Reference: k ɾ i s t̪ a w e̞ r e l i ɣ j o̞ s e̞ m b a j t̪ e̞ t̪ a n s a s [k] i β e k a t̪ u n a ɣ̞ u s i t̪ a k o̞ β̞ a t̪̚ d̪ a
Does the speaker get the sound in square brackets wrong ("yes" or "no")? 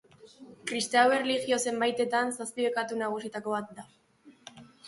yes